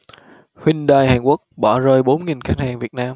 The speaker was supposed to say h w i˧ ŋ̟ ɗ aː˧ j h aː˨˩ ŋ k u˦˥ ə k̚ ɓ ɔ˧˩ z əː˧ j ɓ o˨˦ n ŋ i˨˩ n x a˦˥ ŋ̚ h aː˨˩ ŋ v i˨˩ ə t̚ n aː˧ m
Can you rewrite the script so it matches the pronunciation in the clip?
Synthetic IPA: h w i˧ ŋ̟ ɗ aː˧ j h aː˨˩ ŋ k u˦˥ ə k̚ ɓ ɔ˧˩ z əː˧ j ɓ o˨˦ n ŋ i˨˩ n x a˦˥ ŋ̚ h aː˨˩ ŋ v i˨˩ ə t̚ n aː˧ m

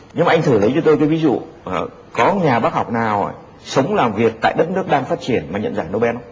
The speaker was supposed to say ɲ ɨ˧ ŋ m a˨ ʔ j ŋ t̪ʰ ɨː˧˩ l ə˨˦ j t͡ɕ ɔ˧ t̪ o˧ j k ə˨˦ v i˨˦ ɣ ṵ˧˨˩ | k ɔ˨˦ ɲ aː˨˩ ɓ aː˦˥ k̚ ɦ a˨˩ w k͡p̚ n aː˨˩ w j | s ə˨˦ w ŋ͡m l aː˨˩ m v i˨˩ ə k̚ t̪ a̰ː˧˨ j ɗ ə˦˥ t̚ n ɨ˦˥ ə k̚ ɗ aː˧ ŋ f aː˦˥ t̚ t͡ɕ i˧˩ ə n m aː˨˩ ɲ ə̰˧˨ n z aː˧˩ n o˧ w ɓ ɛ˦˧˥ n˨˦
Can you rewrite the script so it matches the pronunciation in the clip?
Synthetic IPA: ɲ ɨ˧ ŋ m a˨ ʔ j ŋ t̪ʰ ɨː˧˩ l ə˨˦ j t͡ɕ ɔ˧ t̪ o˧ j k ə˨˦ v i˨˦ z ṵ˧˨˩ | k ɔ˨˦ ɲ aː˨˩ ɓ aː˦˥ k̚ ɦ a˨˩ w k͡p̚ n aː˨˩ w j | s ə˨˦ w ŋ͡m l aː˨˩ m v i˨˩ ə k̚ t̪ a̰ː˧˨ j ɗ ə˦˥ t̚ n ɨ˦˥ ə k̚ ɗ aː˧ ŋ f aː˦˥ t̚ t͡ɕ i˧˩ ə n m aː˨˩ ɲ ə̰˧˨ n z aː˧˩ n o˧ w ɓ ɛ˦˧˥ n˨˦

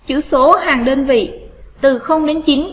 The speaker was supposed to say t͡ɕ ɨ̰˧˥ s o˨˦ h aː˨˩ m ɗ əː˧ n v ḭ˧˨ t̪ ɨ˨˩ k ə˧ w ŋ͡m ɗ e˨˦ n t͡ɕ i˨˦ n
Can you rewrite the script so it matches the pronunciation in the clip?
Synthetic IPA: t͡ɕ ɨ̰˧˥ s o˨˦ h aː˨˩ ŋ ɗ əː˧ n v ḭ˧˨ t̪ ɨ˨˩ x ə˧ w ŋ͡m ɗ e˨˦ n t͡ɕ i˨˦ n

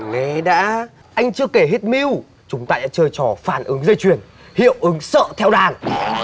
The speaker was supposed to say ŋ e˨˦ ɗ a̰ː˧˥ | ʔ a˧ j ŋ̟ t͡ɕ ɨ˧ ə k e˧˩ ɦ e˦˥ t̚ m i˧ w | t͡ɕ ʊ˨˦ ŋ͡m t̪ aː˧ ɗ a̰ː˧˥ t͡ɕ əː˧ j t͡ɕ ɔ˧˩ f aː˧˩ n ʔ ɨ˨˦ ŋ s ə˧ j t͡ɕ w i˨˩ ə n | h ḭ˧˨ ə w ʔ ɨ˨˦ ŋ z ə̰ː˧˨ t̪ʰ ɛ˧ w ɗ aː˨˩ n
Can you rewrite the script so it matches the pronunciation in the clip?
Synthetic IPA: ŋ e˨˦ ɗ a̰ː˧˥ | ʔ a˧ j ŋ̟ t͡ɕ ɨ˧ ə k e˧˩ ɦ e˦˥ t̚ m i˧ w | t͡ɕ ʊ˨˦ ŋ͡m t̪ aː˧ ɗ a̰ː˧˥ t͡ɕ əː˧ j t͡ɕ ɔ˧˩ f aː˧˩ n ʔ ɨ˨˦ ŋ z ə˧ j t͡ɕ w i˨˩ ə n | h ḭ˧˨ ə w ʔ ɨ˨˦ ŋ s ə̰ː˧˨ t̪ʰ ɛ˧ w ɗ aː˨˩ n

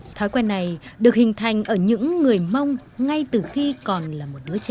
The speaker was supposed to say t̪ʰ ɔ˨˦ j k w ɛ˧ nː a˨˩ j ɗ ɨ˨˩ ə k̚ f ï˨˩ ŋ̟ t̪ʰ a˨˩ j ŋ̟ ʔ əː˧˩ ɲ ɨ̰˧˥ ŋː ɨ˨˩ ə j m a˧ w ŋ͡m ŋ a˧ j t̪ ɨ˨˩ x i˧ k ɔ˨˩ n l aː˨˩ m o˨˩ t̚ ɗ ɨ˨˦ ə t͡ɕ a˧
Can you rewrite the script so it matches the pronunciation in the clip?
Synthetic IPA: t̪ʰ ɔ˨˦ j k w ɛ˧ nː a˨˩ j ɗ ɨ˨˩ ə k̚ h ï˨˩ ŋ̟ t̪ʰ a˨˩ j ŋ̟ ʔ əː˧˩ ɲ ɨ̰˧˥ ŋː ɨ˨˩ ə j m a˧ w ŋ͡m ŋ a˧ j t̪ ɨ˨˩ x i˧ k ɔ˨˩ n l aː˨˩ m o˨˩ t̚ ɗ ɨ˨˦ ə t͡ɕ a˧

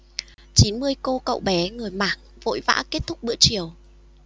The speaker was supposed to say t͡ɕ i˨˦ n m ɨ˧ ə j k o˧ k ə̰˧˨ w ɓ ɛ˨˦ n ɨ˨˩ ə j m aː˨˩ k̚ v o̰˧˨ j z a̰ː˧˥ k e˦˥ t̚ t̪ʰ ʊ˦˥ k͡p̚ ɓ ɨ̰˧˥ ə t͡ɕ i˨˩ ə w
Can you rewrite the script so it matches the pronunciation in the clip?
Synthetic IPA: t͡ɕ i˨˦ n m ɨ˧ ə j k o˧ k ə̰˧˨ w ɓ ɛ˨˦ ŋ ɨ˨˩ ə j m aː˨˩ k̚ v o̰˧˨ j v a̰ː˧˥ k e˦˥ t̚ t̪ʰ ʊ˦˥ k͡p̚ ɓ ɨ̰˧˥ ə t͡ɕ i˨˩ ə w

